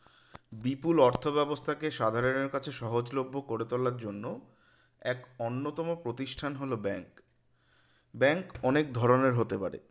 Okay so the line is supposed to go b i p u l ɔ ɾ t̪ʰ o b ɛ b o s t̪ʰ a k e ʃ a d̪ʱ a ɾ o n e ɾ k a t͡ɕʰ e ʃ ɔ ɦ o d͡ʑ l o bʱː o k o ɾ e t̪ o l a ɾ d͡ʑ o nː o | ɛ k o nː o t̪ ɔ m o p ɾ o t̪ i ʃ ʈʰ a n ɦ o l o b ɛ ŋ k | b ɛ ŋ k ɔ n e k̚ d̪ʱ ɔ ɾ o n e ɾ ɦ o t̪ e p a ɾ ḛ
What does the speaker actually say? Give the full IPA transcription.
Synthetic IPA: b i p u l ɔ ɾ t̪ʰ o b ɛ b o s t̪ʰ a k e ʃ a d̪ʱ a ɾ o n e ɾ k a t͡ɕʰ e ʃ ɔ ɦ o d͡ʑ l o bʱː o k o ɾ e t̪ o l a ɾ d͡ʑ o nː o | ɛ k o nː o t̪ ɔ m o p ɾ o t̪ i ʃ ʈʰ a n ɦ o l o b ɛ ŋ k | b ɛ ŋ k ɔ n e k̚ d̪ʱ ɔ ɾ o n e ɾ ɦ o t̪ e p a ɾ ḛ